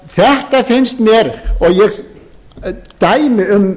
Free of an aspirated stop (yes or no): yes